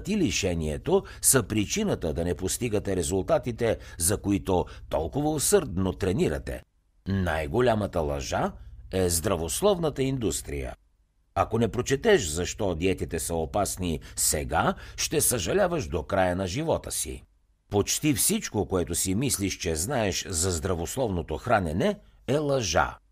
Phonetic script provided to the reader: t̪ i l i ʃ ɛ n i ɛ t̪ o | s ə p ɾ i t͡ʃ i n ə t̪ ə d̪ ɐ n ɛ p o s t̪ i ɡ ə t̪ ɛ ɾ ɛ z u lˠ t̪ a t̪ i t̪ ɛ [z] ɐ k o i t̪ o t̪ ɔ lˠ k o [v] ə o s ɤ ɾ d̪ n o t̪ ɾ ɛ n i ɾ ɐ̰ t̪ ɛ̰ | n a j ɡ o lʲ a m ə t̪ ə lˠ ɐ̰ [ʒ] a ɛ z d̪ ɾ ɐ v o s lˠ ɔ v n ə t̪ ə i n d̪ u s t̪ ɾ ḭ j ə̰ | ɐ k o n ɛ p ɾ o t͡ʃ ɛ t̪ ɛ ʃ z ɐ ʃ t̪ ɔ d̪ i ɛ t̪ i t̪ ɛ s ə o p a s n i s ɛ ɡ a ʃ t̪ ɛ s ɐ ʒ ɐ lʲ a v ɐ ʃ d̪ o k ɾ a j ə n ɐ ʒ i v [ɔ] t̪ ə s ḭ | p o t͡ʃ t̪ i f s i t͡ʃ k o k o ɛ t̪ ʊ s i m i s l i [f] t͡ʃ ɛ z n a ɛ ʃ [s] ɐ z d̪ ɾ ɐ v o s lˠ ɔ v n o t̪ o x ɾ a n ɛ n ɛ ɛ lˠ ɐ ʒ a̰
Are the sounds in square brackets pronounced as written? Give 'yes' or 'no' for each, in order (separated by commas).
yes, yes, yes, yes, no, no